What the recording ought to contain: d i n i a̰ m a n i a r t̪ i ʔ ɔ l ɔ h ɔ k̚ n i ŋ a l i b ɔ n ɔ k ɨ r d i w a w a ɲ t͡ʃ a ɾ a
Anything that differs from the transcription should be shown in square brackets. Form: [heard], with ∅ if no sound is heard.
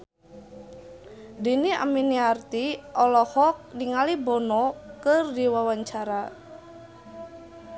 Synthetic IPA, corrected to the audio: d i n i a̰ m [i] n i a r t̪ i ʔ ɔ l ɔ h ɔ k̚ n i ŋ a l i b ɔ n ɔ k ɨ r d i w a w a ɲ t͡ʃ a ɾ a